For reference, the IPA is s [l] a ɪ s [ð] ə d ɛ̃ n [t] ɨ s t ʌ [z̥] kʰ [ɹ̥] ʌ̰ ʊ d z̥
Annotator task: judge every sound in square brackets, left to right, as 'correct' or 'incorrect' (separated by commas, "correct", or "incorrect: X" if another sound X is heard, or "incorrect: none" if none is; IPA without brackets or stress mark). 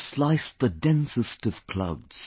correct, correct, incorrect: s, incorrect: v̥, incorrect: l̥